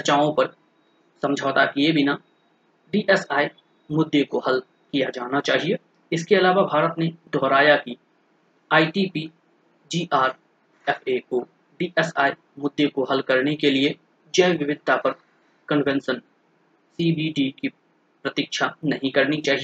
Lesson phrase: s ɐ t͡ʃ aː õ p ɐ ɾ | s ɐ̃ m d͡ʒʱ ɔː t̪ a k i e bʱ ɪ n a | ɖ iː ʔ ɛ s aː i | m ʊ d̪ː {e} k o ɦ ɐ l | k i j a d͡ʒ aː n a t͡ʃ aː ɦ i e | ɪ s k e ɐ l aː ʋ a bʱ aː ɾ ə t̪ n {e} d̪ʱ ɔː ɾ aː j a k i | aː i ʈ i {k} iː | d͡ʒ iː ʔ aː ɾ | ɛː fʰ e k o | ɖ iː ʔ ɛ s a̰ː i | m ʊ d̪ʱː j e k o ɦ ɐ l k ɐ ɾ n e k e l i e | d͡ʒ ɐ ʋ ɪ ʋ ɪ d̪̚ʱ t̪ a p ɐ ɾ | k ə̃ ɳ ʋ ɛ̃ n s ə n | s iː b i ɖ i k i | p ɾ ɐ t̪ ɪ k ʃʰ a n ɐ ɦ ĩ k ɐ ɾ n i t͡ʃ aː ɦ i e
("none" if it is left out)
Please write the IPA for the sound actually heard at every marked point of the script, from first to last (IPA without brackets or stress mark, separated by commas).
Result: e, e, p